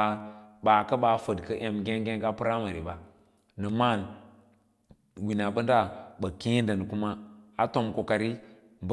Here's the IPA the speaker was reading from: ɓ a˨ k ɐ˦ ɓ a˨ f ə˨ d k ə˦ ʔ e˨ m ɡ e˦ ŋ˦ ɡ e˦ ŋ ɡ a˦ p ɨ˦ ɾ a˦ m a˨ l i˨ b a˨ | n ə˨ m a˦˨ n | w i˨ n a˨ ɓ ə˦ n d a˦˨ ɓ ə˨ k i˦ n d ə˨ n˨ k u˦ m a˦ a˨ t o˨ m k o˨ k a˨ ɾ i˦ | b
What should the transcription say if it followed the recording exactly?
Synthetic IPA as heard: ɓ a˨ k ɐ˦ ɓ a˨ f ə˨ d k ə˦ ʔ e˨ m ɡ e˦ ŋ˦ ɡ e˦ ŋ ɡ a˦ p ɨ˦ ɾ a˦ m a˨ ɾ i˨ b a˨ | n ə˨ m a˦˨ n | w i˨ n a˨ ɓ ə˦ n d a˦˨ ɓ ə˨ k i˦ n d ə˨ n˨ k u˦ m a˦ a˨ t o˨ m k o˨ k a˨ ɾ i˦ | b

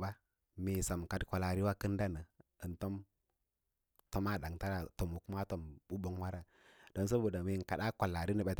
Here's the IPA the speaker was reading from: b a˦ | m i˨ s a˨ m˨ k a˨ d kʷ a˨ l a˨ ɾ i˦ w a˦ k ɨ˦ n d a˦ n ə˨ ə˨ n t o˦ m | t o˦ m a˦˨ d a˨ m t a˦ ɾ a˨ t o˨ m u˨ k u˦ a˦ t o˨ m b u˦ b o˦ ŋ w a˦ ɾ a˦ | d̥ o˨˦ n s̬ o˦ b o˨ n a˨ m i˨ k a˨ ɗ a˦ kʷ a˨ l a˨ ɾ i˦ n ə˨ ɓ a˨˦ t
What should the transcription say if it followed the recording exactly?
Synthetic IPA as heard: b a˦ | m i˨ s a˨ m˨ k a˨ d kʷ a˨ l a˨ ɾ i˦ w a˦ k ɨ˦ n d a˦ n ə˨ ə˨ n t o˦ m | t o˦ m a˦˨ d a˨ ŋ t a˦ ɾ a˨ t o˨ m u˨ k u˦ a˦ t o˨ m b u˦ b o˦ ŋ w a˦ ɾ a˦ | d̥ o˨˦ n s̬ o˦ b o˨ d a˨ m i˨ k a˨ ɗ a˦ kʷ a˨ l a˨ ɾ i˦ n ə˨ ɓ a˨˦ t

